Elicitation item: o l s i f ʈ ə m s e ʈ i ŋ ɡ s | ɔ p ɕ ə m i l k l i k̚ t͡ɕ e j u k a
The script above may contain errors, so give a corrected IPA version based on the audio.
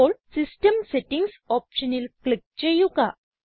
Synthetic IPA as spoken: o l s i s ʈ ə m s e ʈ i ŋ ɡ s | ɔ p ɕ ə n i l k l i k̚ t͡ɕ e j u k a